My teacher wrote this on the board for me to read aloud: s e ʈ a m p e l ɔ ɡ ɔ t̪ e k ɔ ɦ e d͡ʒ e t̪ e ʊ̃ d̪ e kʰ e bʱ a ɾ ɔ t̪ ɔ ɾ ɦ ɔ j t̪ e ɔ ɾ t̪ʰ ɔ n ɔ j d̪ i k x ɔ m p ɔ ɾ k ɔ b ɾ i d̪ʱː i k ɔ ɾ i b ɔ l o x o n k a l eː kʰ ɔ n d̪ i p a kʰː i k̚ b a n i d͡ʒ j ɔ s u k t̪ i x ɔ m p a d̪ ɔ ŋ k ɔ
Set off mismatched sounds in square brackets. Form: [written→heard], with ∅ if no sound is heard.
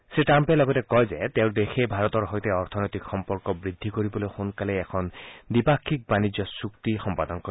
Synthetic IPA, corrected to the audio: s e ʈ a m p e l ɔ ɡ ɔ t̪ e k ɔ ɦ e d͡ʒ e t̪ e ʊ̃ d̪ e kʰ e bʱ a ɾ ɔ t̪ ɔ ɾ ɦ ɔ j t̪ e ɔ ɾ t̪ʰ ɔ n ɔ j [d̪→t̪] i k x ɔ m p ɔ ɾ k ɔ b ɾ i d̪ʱː i k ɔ ɾ i b ɔ l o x o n k a l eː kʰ ɔ n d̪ i p a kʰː i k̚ b a n i d͡ʒ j ɔ s u k t̪ i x ɔ m p a d̪ ɔ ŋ k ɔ